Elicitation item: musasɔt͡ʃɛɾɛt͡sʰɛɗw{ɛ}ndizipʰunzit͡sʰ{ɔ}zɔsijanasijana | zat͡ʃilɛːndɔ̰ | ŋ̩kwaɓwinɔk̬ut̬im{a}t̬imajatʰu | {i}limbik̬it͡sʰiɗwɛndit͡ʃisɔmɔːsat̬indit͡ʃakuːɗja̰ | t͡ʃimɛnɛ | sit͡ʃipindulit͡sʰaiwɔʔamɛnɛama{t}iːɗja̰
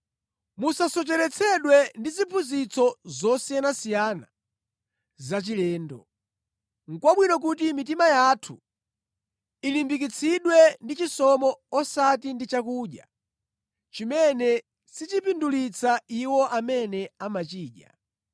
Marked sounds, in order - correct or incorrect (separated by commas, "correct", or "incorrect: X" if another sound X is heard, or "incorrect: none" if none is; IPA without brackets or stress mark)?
correct, correct, incorrect: i, correct, incorrect: t͡ʃ